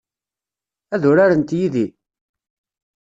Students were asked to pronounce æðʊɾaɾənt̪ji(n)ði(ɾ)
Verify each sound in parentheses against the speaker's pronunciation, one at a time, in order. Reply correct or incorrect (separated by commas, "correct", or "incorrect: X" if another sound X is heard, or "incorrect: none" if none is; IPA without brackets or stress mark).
incorrect: none, incorrect: none